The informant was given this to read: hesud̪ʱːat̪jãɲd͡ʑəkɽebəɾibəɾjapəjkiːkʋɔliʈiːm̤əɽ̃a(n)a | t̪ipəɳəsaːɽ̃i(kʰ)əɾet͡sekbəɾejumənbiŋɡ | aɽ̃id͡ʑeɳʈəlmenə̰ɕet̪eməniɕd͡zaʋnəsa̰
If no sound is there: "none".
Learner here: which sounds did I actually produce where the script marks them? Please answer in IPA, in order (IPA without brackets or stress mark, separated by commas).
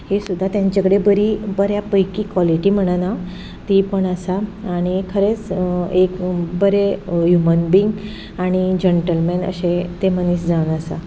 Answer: n, kʰ